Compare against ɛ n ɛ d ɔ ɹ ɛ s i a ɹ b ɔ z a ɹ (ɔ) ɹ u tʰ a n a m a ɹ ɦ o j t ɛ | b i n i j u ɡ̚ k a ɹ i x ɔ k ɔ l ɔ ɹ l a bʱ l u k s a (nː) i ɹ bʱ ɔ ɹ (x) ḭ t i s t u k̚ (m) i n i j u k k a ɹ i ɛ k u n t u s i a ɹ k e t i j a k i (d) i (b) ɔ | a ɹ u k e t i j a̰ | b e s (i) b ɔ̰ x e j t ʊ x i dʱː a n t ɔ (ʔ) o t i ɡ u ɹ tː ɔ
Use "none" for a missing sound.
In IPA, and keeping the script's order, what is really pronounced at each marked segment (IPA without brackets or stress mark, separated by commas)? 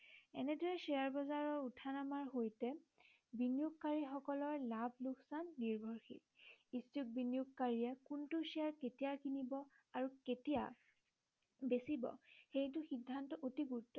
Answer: ɔ, nː, x, b, n, b, i, ʔ